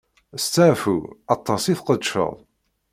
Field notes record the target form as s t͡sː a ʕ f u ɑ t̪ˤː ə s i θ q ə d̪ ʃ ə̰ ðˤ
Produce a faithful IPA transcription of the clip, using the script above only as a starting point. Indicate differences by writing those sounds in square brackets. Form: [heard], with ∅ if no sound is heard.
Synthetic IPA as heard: s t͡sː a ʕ f u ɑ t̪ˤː [ɑ] s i θ q ə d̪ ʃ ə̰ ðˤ